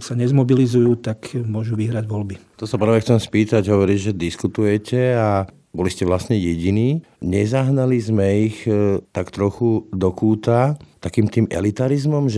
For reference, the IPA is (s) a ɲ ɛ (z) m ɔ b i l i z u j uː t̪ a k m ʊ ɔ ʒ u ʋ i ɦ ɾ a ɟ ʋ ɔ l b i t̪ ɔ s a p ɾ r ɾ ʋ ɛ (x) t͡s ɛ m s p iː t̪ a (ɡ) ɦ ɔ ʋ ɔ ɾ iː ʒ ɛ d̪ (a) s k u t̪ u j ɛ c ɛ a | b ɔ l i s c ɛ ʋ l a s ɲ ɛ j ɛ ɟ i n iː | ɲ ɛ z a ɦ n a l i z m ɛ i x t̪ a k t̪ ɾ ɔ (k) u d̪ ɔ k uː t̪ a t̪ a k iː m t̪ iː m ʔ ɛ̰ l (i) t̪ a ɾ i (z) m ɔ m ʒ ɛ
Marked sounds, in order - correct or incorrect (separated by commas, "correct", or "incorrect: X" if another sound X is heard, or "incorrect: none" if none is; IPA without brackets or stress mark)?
correct, correct, correct, incorrect: ɟ, incorrect: i, incorrect: x, correct, correct